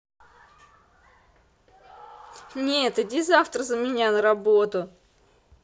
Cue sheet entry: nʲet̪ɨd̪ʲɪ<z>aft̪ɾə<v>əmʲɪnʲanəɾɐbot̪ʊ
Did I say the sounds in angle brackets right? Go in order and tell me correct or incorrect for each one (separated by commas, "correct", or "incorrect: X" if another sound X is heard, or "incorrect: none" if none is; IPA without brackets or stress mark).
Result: correct, incorrect: z